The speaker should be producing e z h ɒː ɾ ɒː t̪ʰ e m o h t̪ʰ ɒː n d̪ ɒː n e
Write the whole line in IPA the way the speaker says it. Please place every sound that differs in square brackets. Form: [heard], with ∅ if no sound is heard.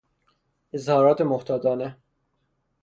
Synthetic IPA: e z h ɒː ɾ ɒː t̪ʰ e m o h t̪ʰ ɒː [∅] d̪ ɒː n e

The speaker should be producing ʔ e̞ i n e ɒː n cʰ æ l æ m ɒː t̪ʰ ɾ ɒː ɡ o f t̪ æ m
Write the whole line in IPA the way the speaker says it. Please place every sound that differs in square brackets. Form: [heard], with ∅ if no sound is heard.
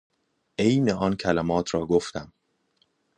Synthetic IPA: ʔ e̞ [j] n e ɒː n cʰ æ l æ m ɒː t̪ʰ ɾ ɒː ɡ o f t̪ æ m

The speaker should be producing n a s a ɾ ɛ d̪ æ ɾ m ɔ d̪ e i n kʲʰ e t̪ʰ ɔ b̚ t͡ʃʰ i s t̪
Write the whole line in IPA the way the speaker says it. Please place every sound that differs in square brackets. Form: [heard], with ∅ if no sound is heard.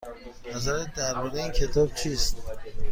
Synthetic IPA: n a [z] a ɾ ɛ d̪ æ ɾ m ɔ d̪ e i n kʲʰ e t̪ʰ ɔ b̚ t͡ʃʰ i s t̪

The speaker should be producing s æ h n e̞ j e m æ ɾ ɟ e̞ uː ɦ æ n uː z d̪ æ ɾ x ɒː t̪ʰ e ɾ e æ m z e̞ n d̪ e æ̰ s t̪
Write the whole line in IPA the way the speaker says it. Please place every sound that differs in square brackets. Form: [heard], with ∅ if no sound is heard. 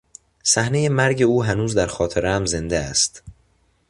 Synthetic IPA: s æ h n e̞ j e m æ ɾ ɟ e̞ uː ɦ æ n uː z d̪ æ ɾ x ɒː t̪ʰ e ɾ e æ m z e̞ n d̪ e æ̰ s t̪

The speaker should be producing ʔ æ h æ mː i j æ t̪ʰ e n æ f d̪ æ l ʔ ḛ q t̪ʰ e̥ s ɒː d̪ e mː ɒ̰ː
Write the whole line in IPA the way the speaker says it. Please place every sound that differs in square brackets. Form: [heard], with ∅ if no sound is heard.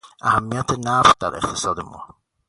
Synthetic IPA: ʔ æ h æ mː i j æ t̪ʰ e n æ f d̪ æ [ɾ] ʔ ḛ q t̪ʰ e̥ s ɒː d̪ e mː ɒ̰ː

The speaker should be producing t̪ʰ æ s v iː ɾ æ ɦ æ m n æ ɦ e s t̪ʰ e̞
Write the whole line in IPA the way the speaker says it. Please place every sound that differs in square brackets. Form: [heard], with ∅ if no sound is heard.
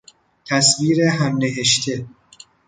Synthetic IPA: t̪ʰ æ s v iː ɾ [e] ɦ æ m n [e] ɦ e [ʃ] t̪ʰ e̞

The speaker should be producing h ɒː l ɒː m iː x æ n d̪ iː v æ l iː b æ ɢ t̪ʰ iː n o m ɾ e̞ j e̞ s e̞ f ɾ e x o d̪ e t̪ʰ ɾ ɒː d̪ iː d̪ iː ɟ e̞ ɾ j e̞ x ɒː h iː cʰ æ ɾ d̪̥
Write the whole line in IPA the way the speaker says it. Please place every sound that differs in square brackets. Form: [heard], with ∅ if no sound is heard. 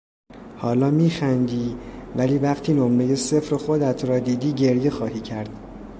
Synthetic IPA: h ɒː l ɒː m iː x æ n d̪ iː v æ l iː [v] æ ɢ t̪ʰ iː n o m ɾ e̞ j e̞ s e̞ f ɾ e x o d̪ [æ] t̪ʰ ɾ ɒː d̪ iː d̪ iː ɟ e̞ ɾ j e̞ x ɒː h iː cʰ æ ɾ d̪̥

